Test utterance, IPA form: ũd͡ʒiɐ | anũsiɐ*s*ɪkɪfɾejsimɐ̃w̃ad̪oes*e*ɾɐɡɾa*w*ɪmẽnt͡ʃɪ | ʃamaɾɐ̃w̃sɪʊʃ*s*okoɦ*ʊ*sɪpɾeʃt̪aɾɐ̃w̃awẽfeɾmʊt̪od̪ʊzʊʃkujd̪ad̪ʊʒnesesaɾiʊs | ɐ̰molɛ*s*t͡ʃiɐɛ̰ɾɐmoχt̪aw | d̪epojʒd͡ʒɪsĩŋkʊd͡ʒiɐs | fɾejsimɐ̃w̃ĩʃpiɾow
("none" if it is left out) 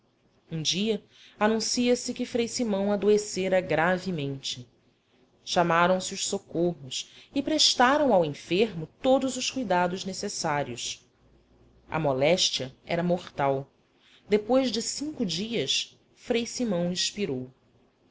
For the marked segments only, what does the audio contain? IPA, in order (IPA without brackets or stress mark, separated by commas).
s, e, v, s, ʊ, ʃ